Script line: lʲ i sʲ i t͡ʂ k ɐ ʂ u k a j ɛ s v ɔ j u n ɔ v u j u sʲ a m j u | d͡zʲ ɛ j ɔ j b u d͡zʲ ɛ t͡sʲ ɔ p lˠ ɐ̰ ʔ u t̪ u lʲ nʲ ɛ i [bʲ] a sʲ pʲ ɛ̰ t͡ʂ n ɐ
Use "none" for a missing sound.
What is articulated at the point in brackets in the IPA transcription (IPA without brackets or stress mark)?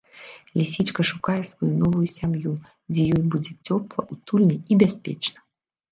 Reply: bʲ